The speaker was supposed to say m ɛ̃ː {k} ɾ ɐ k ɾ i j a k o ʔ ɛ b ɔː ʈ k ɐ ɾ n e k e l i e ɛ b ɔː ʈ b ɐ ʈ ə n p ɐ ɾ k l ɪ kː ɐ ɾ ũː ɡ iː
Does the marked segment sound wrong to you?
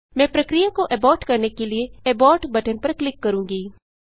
yes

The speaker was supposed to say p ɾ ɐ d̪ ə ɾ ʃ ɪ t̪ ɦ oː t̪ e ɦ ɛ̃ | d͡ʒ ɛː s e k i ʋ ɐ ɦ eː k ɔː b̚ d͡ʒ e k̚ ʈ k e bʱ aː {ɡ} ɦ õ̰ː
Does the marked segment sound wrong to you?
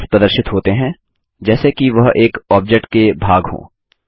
no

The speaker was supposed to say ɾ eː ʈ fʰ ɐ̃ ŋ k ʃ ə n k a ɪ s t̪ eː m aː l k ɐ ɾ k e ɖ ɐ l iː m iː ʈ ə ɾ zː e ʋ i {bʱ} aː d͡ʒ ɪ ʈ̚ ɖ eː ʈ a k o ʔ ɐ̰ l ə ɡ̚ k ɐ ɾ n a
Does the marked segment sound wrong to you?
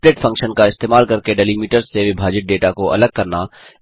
no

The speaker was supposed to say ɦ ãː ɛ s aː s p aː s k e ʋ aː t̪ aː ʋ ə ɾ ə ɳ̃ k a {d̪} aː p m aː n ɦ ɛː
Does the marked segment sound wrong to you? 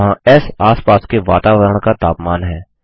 yes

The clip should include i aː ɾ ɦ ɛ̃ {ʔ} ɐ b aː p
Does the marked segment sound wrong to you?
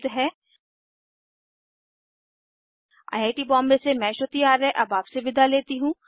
no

